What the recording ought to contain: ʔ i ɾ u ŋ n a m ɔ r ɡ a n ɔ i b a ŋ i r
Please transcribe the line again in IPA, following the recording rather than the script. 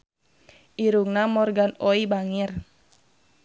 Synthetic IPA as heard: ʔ i ɾ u ŋ n a m ɔ r ɡ a n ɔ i b a ŋ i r